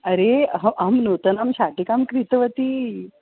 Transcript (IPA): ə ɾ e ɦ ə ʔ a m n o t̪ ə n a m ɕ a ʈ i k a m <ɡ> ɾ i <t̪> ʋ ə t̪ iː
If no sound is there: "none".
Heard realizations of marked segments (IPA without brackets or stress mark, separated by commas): k, t̪